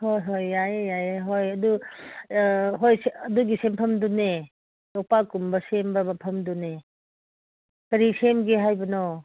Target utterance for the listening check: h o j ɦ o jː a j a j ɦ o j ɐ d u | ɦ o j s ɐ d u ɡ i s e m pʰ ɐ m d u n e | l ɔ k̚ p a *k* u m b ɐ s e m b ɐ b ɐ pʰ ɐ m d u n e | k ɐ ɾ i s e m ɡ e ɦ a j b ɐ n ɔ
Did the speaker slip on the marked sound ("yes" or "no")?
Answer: no